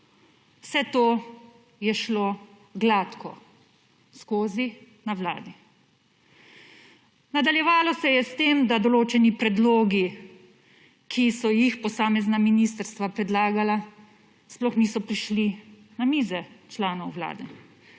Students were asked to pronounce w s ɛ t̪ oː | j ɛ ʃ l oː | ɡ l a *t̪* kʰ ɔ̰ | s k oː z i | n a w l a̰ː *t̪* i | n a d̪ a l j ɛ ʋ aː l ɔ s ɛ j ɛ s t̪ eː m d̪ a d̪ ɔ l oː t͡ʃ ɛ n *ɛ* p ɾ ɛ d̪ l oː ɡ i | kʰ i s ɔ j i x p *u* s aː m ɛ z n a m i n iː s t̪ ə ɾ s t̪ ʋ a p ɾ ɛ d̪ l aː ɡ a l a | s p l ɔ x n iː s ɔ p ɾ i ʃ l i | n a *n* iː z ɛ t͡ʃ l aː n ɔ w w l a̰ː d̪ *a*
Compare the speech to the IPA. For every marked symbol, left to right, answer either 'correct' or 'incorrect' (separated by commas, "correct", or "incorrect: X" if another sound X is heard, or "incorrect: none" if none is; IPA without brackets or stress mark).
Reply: correct, incorrect: d̪, incorrect: i, incorrect: ɔ, incorrect: m, incorrect: ɛ